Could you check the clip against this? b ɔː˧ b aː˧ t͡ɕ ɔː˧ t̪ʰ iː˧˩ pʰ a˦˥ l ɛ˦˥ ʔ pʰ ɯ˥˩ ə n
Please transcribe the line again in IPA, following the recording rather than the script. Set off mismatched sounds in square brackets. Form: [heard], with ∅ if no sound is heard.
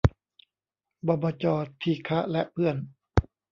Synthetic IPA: b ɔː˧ b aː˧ t͡ɕ ɔː˧ t̪ʰ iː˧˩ [kʰ] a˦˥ l ɛ˦˥ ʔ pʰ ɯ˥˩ ə n

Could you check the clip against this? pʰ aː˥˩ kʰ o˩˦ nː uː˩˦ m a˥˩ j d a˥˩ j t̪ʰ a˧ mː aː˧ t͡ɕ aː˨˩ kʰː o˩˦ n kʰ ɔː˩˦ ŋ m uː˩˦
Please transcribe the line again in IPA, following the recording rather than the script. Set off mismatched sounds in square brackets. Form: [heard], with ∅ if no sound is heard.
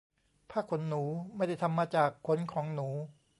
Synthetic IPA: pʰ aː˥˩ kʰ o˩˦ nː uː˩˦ m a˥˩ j d a˥˩ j t̪ʰ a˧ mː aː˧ t͡ɕ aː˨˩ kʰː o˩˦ n kʰ ɔː˩˦ ŋ [n] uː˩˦

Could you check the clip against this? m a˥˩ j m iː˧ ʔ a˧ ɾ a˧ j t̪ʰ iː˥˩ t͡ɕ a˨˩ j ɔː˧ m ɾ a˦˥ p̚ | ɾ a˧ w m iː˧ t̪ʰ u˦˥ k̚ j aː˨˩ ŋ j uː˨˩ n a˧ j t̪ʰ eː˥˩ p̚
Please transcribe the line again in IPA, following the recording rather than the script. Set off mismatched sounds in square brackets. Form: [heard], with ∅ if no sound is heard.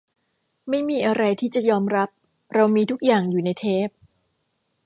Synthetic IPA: m a˥˩ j m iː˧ ʔ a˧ ɾ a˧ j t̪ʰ iː˥˩ t͡ɕ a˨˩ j ɔː˧ m ɾ a˦˥ p̚ | ɾ a˧ w m iː˧ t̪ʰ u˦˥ k̚ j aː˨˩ ŋ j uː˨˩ n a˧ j t̪ʰ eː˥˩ p̚

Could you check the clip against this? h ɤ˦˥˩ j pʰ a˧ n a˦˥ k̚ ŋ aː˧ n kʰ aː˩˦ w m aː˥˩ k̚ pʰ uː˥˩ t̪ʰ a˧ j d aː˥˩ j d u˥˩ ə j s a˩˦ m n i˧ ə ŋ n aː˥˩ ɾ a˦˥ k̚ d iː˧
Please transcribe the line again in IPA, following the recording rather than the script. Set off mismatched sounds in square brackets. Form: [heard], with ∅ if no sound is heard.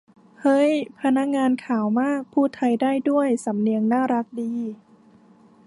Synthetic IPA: h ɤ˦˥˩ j pʰ a˧ n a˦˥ k̚ ŋ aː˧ n kʰ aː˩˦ w m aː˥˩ k̚ pʰ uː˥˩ t̪ʰ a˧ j d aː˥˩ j d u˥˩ ə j s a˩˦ m n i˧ ə ŋ n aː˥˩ ɾ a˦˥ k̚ d iː˧

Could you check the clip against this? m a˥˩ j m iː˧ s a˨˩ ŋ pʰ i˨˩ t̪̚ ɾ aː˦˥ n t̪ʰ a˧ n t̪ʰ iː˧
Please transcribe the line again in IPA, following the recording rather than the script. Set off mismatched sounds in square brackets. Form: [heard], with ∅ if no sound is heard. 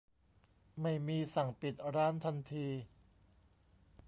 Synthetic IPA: m a˥˩ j m iː˧ s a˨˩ ŋ [p] i˨˩ t̪̚ ɾ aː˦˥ n t̪ʰ a˧ n t̪ʰ iː˧

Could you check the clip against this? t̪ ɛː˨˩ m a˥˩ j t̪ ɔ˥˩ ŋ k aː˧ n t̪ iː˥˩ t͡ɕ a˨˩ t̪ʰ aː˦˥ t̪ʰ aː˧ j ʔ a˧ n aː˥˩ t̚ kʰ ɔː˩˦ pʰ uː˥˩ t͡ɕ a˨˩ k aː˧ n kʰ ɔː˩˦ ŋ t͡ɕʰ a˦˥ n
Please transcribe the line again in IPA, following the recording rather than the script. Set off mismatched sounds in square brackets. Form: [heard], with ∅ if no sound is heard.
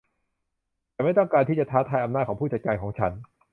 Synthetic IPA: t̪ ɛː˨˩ m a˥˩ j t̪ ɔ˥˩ ŋ k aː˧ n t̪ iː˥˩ t͡ɕ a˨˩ t̪ʰ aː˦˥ t̪ʰ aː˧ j ʔ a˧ n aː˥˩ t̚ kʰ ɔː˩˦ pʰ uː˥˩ t͡ɕ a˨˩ k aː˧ n kʰ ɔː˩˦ ŋ t͡ɕʰ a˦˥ n

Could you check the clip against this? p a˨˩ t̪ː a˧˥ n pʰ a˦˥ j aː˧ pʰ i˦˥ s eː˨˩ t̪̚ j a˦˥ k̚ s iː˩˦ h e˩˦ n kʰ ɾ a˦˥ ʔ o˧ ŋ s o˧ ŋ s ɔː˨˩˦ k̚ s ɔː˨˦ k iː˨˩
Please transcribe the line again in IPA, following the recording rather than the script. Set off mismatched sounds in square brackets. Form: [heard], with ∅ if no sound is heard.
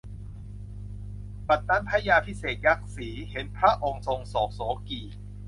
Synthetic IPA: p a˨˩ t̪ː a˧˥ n pʰ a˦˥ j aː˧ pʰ i˦˥ s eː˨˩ t̪̚ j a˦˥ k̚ s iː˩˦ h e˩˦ n [pʰ] ɾ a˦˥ ʔ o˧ ŋ s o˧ ŋ s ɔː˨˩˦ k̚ s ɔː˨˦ k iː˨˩

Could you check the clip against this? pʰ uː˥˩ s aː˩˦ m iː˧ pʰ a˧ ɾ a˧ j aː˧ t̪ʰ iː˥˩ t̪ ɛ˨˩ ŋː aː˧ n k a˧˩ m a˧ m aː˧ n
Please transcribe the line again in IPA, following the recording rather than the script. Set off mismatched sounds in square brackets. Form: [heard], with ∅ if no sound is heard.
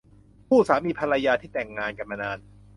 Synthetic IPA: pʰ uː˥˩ s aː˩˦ m iː˧ pʰ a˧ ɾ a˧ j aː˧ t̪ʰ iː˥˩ t̪ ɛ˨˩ ŋː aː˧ n k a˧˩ m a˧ [n] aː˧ n

